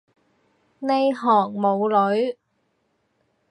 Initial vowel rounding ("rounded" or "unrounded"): unrounded